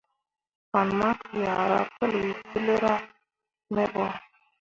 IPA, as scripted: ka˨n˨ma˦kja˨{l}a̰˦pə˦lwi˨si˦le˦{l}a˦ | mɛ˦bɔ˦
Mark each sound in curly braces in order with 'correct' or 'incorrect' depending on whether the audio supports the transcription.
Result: incorrect, incorrect

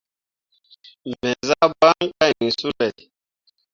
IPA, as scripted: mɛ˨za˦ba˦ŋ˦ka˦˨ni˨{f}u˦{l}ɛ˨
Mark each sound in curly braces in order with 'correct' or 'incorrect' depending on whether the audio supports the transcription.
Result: incorrect, correct

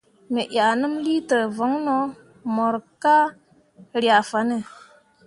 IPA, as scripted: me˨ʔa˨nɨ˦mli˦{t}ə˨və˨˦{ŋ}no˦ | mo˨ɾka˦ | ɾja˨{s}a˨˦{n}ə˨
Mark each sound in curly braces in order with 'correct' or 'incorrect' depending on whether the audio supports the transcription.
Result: correct, correct, incorrect, correct

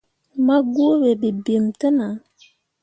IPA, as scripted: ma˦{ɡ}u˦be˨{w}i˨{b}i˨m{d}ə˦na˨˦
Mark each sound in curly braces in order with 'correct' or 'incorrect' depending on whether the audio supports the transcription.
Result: correct, incorrect, correct, incorrect

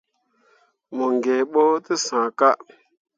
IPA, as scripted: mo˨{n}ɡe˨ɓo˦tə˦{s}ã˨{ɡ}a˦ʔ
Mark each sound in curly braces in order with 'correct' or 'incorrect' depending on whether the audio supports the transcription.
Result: incorrect, correct, incorrect

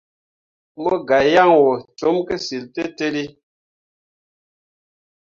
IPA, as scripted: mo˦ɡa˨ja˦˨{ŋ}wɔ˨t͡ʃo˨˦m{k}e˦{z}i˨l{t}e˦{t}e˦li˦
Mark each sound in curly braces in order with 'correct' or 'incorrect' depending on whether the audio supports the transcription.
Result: correct, correct, incorrect, correct, correct

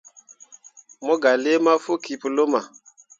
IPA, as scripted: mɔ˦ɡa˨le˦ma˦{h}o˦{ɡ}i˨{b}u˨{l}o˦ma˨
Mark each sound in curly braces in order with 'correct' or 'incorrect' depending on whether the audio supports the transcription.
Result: incorrect, incorrect, incorrect, correct

